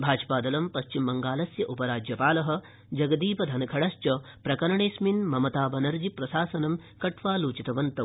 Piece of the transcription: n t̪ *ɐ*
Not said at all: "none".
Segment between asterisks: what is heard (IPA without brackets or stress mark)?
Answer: ɐ